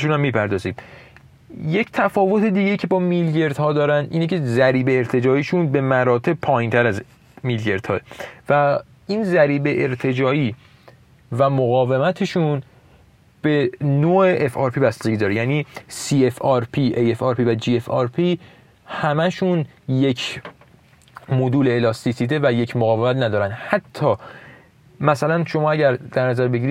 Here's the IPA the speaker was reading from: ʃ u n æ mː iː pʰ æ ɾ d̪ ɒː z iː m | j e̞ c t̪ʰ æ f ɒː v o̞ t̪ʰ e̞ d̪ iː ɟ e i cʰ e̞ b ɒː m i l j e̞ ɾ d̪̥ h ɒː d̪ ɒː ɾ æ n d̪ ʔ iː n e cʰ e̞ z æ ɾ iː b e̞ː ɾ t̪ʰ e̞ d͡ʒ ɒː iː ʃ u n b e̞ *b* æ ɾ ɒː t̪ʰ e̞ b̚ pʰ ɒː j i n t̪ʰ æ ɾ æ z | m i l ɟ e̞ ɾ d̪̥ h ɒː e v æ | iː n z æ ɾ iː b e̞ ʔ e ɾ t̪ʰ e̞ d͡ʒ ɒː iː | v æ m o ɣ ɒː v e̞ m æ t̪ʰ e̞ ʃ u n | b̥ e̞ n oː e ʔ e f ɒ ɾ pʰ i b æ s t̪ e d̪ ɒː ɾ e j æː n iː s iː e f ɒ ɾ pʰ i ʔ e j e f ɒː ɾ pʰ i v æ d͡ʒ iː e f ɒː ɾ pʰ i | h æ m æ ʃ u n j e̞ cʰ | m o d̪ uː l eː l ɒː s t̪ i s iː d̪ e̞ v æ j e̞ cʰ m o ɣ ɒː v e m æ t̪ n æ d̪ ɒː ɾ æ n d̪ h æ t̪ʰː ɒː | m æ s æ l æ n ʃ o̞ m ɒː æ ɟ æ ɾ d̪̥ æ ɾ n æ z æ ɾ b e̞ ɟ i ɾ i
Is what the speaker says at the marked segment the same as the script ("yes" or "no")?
no